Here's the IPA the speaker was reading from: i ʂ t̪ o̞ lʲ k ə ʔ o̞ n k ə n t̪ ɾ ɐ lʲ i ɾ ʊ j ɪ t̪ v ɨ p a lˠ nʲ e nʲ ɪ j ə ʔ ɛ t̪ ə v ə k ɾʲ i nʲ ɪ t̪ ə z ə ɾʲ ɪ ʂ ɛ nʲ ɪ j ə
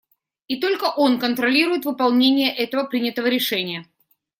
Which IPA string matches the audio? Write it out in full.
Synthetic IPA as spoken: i t̪ o̞ lʲ k ə ʔ o̞ n k ə n t̪ ɾ ɐ lʲ i ɾ ʊ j ɪ t̪ v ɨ p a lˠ nʲ e nʲ ɪ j ə ʔ ɛ t̪ ə v ə p ɾʲ i nʲ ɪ t̪ ə v ə ɾʲ ɪ ʂ ɛ nʲ ɪ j ə

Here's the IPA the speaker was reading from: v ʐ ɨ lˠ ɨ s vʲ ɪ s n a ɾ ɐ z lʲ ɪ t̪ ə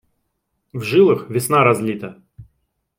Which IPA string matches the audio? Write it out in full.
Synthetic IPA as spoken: v ʐ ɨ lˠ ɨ x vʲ ɪ s n a ɾ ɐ z lʲ i t̪ ə

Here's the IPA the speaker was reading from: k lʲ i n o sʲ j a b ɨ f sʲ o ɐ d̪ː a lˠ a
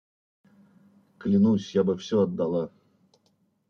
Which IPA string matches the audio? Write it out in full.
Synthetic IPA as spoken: k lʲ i n u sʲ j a b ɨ f sʲ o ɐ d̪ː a lˠ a

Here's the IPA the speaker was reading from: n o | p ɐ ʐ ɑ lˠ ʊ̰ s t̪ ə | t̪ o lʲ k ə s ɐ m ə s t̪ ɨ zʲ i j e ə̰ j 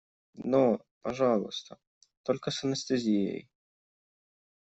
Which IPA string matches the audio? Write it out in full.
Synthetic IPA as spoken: n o | p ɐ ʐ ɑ lˠ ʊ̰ s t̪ ə | t̪ o lʲ k ə s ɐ n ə s t̪ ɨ zʲ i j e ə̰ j

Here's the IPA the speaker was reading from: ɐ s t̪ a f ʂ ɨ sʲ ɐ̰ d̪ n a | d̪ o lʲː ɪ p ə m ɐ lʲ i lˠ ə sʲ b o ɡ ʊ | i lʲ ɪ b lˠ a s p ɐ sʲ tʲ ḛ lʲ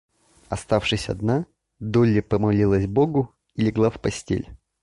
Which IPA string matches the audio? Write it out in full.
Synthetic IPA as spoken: ɐ s t̪ a f ʂ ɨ sʲ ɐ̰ d̪ n a | d̪ o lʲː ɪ p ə m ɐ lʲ i lˠ ə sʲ b o ɡ ʊ | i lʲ ɪ ɡ lˠ a f p ɐ sʲ tʲ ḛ lʲ

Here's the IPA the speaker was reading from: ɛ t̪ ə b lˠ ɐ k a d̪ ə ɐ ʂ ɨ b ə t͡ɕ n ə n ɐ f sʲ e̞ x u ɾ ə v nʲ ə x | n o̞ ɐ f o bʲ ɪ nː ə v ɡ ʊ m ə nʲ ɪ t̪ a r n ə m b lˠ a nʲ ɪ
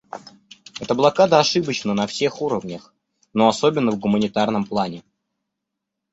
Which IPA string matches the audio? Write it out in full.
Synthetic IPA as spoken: ɛ t̪ ə b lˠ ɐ k a d̪ ə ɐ ʂ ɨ b ə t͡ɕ n ə n ɐ f sʲ e̞ x u ɾ ə v nʲ ə x | n o̞ ɐ s o bʲ ɪ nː ə v ɡ ʊ m ə nʲ ɪ t̪ a r n ə m p lˠ a nʲ ɪ

